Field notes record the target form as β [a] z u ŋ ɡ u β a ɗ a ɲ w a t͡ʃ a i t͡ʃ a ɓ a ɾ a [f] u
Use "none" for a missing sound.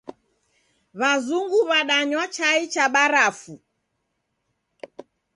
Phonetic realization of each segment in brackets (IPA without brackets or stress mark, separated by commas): a, f